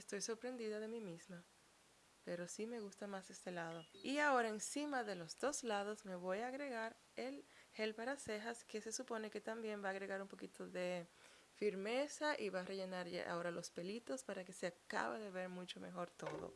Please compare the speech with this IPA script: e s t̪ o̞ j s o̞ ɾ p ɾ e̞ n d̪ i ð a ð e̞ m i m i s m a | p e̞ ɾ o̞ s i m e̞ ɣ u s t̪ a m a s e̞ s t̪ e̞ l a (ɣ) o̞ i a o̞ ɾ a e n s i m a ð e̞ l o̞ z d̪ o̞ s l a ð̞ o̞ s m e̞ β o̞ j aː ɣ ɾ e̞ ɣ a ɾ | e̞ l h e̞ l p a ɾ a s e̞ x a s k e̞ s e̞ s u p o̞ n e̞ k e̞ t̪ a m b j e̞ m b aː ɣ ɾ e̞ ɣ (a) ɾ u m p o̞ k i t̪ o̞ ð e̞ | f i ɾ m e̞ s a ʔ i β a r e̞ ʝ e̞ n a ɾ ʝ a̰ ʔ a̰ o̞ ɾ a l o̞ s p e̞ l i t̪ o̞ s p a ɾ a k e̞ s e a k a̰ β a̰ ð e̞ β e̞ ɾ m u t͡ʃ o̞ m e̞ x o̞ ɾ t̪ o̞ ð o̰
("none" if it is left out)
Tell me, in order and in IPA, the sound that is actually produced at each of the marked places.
ð, a

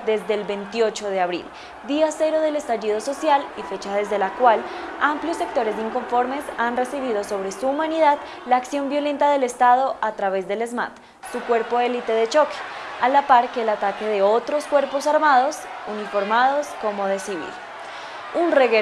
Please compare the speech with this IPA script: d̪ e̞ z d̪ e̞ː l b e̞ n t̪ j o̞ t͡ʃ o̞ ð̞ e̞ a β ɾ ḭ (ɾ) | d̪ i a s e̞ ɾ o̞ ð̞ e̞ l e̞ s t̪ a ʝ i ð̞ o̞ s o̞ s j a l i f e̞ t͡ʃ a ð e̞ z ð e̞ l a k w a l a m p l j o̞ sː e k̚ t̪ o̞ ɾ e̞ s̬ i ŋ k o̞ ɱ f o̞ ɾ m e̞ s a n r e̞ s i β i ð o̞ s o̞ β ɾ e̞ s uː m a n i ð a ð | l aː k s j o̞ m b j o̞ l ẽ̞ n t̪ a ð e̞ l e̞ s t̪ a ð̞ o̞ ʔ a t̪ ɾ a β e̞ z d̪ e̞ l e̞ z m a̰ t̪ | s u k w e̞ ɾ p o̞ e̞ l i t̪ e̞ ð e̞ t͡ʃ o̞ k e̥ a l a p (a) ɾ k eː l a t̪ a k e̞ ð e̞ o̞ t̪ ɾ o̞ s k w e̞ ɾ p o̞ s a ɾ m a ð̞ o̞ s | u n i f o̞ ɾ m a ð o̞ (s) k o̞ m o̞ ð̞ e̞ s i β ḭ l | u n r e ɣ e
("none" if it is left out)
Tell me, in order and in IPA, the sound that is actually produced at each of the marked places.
l, a, s

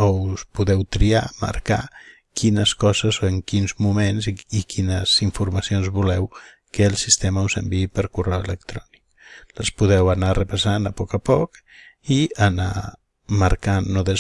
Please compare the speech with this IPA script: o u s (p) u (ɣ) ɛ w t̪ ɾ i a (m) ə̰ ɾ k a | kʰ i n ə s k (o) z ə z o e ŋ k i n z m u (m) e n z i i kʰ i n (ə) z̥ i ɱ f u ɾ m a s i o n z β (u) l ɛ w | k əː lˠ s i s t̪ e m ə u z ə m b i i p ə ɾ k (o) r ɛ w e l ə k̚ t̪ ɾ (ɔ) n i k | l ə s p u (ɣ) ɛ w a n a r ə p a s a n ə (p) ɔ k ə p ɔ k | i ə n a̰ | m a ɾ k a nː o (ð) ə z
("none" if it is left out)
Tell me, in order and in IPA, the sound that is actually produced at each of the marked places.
p, ð, m, ɔ, m, ə, u, u, ɔ, ð, p, ð

